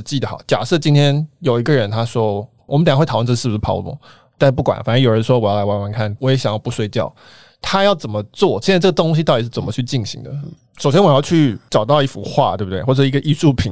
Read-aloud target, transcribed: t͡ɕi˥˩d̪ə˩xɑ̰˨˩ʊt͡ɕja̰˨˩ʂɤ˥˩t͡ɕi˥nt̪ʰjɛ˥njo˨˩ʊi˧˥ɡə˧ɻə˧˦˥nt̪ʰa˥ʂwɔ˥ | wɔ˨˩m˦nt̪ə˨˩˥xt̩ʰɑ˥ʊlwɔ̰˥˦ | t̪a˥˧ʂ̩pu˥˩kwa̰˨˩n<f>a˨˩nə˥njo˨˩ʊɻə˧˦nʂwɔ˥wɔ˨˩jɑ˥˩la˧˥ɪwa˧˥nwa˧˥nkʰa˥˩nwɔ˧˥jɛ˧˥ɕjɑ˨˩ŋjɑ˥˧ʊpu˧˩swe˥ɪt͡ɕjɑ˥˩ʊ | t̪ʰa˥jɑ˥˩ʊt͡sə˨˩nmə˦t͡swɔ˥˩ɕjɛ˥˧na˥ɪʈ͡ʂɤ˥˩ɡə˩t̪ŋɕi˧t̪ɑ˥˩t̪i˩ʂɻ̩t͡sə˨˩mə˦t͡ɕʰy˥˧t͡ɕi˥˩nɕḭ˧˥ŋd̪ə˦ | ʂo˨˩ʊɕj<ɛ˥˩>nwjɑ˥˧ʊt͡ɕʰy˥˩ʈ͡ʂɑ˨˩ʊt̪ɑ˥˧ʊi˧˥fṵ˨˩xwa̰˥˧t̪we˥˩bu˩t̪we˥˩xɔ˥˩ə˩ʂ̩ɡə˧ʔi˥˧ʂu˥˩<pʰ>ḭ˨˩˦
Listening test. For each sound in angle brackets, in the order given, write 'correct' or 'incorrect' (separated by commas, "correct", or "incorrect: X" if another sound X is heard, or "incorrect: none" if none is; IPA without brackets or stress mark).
correct, incorrect: ɛ˥, correct